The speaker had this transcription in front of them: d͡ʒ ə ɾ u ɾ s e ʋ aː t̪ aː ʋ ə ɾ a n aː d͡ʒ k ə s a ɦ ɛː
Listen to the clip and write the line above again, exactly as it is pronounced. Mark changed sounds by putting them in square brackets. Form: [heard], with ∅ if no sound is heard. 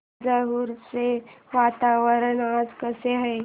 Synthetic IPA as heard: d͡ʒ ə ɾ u ɾ s e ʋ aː t̪ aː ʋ ə ɾ [ə] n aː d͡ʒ k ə s [e] ɦ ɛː